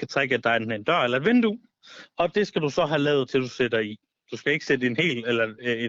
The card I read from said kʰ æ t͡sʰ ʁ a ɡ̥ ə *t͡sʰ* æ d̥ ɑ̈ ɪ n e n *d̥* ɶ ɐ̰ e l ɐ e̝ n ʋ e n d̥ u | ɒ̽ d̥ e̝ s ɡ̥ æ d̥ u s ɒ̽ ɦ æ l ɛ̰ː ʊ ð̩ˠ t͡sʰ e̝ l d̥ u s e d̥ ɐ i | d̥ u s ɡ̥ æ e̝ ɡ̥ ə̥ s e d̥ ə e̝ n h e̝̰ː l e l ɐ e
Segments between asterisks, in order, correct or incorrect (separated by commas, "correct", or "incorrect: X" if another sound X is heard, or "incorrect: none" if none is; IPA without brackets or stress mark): incorrect: none, correct